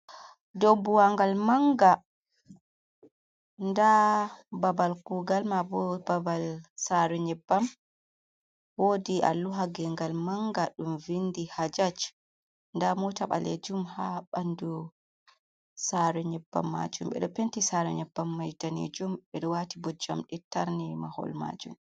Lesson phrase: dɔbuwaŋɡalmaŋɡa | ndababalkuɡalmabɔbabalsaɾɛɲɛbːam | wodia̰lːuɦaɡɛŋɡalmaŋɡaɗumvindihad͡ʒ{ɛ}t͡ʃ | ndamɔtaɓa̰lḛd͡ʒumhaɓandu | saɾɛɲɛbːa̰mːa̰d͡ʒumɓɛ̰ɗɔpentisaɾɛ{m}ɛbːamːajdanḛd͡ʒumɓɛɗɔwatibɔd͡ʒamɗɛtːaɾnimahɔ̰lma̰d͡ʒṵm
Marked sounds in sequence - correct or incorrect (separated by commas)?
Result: incorrect, incorrect